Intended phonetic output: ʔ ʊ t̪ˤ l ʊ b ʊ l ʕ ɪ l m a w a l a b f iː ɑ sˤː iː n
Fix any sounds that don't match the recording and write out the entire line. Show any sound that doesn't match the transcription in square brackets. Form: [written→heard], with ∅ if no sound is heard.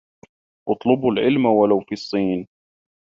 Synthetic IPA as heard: ʔ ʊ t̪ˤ l ʊ b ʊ l ʕ ɪ l m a w a l a [b→w] f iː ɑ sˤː iː n